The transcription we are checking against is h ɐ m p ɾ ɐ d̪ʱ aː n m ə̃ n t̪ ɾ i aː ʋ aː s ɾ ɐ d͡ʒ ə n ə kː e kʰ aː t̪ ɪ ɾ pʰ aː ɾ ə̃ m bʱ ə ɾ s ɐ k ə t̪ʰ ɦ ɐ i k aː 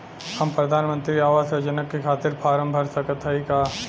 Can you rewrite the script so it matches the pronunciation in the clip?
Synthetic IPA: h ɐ m p ɾ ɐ d̪ʱ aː n m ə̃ n t̪ ɾ i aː ʋ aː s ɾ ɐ d͡ʒ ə n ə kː e kʰ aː t̪ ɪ ɾ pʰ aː ɾ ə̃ m bʱ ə ɾ s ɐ k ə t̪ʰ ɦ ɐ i k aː